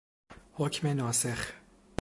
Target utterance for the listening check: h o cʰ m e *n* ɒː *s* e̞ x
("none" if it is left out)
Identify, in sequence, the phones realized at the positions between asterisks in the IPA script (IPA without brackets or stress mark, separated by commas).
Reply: n, s